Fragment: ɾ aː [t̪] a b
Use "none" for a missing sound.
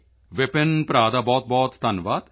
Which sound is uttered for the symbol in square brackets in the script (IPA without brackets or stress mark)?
d̪